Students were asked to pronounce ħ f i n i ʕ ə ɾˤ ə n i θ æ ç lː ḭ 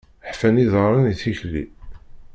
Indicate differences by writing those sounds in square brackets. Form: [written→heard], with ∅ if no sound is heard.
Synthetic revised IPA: ħ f [i→æ] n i [ʕ→ð] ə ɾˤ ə n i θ [æ→i] ç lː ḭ